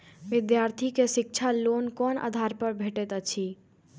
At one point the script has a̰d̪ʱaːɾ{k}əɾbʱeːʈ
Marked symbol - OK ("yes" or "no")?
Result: no